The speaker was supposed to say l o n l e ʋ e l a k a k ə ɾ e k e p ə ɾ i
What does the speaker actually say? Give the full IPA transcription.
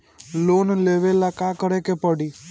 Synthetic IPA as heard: l o n l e ʋ e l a k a k ə ɾ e k e p ə ɽ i

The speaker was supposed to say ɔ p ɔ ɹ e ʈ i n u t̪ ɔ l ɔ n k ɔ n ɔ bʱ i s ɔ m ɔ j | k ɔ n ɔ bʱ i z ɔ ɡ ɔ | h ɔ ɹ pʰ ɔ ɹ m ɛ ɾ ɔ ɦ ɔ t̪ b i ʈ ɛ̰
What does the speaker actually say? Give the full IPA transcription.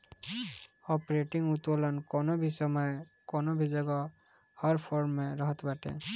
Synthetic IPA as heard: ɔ p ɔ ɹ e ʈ i ŋ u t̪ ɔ l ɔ n k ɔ n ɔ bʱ i s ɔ m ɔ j | k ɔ n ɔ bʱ i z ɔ ɡ ɔ | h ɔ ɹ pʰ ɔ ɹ m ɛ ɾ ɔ ɦ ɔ t̪ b a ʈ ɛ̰

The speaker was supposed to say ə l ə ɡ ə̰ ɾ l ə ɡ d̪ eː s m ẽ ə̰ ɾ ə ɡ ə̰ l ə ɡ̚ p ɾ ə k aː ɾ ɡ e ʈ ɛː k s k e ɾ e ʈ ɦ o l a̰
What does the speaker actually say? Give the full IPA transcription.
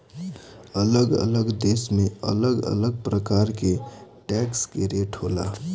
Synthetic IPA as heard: ə l ə ɡ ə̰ l ə ɡ d̪ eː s m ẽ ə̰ l ə ɡ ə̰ l ə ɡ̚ p ɾ ə k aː ɾ k e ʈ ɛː k s k e ɾ e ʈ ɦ o l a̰

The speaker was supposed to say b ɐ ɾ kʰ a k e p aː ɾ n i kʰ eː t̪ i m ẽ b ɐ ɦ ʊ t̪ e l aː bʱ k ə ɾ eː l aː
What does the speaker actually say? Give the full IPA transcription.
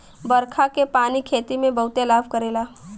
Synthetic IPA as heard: b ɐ ɾ kʰ a k e p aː n i kʰ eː t̪ i m ẽ b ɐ ɦ ʊ t̪ e l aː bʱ k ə ɾ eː l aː

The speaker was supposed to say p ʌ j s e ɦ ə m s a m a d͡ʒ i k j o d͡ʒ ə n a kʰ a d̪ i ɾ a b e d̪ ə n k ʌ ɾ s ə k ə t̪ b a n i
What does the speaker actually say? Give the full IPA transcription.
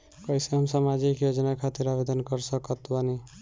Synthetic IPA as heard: k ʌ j s e ɦ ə m s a m a d͡ʒ i k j o d͡ʒ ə n a kʰ a t̪ i ɾ a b e d̪ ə n k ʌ ɾ s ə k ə t̪ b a n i

